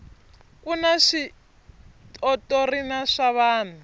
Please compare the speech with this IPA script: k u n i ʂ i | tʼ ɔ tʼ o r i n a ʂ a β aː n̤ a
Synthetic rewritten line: k u n a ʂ i | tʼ ɔ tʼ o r i n a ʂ a β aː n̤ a